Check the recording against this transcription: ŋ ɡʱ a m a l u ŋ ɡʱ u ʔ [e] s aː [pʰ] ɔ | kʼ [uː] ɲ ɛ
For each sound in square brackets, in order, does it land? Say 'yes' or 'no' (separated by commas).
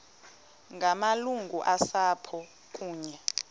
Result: no, yes, yes